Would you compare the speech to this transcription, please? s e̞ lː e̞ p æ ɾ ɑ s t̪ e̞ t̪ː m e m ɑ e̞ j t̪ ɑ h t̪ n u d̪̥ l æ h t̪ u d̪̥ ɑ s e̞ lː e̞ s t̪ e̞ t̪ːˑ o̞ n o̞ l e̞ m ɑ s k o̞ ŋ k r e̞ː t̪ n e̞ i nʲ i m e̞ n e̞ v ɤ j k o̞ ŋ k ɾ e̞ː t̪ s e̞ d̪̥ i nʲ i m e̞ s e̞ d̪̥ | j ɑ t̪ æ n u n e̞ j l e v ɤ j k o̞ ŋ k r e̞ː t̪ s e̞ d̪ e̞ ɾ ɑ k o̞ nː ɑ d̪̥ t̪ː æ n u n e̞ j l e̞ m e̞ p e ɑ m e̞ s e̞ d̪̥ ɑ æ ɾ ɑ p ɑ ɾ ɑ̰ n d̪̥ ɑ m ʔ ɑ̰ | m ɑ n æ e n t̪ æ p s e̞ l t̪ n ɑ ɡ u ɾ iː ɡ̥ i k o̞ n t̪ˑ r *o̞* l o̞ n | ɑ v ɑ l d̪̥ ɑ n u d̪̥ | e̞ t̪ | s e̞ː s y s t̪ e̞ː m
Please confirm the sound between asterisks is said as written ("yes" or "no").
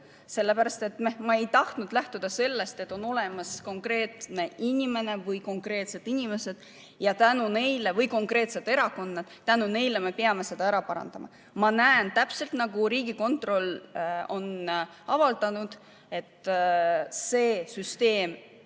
yes